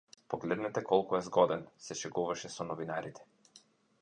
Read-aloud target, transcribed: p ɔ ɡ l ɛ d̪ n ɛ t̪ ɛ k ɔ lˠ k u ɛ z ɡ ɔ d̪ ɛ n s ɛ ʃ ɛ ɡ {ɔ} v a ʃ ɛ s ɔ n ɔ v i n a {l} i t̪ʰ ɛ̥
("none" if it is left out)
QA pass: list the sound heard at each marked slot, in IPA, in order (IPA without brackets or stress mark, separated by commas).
u, ɾ